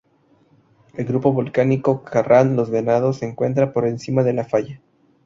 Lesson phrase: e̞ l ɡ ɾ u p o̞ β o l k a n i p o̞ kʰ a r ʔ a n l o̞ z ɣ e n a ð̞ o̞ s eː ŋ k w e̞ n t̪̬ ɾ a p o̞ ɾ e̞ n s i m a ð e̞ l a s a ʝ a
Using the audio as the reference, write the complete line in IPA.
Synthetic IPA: e̞ l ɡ ɾ u p o̞ β o l k a n i k o̞ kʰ a r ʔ a n l o̞ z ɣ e n a ð̞ o̞ s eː ŋ k w e̞ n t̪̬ ɾ a p o̞ ɾ e̞ n s i m a ð e̞ l a f a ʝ a